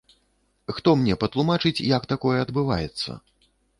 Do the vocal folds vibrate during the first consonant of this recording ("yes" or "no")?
no